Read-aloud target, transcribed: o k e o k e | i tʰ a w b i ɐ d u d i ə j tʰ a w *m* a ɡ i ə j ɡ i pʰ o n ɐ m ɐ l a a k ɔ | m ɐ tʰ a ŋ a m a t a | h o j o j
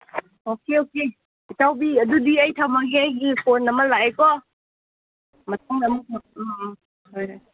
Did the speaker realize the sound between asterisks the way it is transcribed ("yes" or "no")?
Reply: yes